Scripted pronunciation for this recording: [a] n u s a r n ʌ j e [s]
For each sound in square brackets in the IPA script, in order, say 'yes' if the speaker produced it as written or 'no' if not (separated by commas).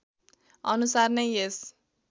no, yes